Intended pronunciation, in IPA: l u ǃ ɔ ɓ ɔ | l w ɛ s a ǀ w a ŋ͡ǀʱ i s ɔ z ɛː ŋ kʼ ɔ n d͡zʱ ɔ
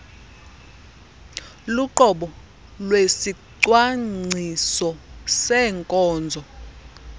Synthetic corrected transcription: l u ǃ ɔ ɓ ɔ | l w e s i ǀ w a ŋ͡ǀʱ i s ɔ s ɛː ŋ kʼ ɔː n d͡zʱ ɔ